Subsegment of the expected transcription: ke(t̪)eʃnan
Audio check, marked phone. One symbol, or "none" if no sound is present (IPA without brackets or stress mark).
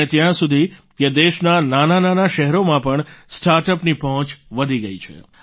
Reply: d̪